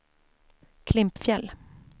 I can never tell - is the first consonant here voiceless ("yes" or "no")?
yes